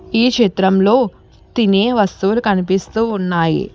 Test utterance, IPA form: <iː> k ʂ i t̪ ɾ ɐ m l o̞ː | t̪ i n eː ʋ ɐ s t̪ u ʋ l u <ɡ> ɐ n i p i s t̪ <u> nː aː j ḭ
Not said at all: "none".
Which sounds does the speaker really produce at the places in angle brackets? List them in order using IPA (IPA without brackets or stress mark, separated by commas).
iː, k, uː